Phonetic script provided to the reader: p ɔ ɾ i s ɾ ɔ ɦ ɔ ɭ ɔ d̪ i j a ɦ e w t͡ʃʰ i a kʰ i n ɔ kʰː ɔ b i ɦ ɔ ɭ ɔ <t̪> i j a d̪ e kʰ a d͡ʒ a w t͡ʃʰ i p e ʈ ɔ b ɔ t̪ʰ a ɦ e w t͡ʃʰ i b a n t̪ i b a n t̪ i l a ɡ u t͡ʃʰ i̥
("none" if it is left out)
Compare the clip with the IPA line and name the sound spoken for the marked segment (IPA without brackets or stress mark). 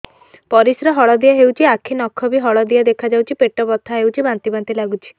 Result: d̪